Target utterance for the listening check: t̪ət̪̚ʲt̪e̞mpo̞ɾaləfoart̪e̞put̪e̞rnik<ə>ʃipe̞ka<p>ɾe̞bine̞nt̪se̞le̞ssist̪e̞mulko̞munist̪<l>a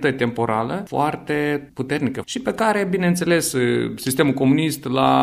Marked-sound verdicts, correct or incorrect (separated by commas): correct, incorrect, correct